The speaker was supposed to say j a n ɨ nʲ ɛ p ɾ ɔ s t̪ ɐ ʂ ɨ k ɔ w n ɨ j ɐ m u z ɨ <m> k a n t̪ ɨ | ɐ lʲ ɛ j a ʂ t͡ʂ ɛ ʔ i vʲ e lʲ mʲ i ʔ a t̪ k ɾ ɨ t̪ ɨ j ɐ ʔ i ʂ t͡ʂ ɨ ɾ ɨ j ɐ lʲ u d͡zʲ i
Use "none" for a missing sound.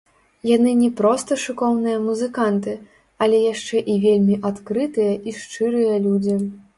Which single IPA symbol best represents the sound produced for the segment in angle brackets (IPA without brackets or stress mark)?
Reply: none